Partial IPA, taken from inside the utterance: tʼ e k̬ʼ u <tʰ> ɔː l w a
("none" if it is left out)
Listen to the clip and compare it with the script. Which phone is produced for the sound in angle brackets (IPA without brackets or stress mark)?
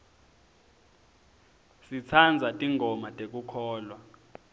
kʰ